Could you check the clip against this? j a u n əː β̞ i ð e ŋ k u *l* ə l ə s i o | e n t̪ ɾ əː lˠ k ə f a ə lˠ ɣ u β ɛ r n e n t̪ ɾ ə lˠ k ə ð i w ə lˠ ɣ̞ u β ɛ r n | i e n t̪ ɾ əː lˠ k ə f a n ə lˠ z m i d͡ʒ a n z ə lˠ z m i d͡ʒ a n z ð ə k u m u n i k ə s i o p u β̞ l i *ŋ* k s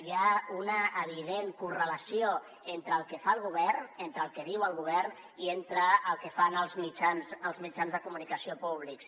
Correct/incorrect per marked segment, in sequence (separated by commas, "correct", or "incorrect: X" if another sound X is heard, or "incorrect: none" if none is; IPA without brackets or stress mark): incorrect: r, incorrect: none